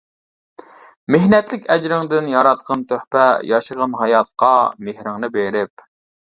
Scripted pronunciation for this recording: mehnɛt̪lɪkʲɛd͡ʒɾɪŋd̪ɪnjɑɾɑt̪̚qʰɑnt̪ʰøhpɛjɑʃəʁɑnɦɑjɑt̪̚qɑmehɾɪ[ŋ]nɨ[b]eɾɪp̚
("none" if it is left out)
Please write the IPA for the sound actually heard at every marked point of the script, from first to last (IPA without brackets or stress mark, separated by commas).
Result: ŋ, b